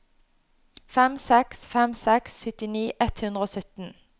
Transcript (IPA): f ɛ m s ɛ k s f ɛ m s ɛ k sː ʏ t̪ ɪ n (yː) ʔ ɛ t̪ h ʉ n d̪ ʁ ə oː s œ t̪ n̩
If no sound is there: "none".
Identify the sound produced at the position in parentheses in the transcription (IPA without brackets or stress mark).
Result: iː